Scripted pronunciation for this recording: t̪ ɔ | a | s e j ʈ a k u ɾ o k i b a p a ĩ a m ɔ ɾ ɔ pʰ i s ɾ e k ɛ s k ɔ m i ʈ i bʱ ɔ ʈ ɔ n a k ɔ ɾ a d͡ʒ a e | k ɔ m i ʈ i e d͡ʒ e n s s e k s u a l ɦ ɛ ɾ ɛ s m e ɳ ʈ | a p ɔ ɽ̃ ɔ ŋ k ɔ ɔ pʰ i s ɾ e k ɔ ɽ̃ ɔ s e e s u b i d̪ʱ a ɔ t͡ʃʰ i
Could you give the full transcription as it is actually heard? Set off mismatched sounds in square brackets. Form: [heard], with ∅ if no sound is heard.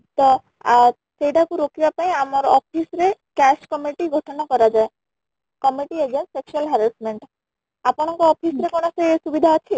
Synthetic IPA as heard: t̪ ɔ | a | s e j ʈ a k u ɾ o k i b a p a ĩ a m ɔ ɾ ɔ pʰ i s ɾ e k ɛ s k ɔ m i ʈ i [ɡʱ] ɔ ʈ ɔ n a k ɔ ɾ a d͡ʒ a e | k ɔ m i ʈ i e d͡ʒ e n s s e k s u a l ɦ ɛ ɾ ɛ s m e ɳ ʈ | a p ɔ ɽ̃ ɔ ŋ k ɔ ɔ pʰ i s ɾ e k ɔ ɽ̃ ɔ s e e s u b i d̪ʱ a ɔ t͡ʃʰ i